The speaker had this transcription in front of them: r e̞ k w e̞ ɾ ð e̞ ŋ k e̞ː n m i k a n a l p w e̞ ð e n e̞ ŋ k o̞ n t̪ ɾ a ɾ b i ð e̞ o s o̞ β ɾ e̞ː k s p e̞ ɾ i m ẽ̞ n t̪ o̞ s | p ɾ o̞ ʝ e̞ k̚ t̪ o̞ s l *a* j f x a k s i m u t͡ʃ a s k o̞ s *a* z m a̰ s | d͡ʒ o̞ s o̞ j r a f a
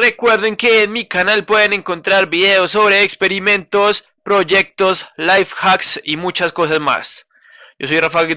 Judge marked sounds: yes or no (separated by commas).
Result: yes, yes